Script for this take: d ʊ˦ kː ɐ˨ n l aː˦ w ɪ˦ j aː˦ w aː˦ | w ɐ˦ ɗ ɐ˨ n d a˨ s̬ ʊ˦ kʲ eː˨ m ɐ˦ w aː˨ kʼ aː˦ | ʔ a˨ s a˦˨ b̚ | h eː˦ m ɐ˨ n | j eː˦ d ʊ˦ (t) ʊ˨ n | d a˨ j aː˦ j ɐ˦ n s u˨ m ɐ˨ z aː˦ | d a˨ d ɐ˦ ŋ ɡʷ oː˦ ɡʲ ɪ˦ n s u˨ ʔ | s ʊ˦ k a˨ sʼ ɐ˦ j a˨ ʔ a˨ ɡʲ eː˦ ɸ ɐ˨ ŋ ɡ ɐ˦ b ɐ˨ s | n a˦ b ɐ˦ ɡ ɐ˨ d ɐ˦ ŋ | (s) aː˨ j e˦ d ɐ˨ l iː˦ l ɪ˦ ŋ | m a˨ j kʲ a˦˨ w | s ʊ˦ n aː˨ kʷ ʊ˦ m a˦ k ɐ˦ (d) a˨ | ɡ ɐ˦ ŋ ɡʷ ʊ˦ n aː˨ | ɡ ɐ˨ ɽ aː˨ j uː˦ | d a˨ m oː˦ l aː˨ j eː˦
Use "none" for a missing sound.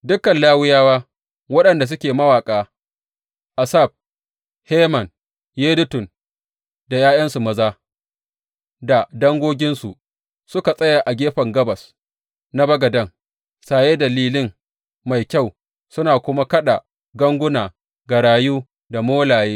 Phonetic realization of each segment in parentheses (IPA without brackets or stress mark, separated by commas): t, s, ɗ